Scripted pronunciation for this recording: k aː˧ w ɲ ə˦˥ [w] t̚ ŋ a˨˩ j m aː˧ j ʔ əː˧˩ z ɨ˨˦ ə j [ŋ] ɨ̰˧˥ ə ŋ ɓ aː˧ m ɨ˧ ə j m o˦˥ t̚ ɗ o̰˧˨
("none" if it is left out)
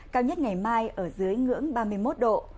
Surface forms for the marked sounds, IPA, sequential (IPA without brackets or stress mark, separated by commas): none, ŋ